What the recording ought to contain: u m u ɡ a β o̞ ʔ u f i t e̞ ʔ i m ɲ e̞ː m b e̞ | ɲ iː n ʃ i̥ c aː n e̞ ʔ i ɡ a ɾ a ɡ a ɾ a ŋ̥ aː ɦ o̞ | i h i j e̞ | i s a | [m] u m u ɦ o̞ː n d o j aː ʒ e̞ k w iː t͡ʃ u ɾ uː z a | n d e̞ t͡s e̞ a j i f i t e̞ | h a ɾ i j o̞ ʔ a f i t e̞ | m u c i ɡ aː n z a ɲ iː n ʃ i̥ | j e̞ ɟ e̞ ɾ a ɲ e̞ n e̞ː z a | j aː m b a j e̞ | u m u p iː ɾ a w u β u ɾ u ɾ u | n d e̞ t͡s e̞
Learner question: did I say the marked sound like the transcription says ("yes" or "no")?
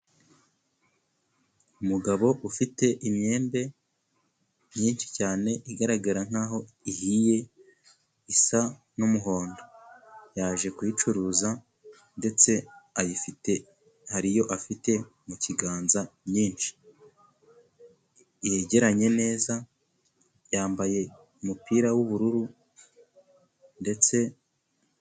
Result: no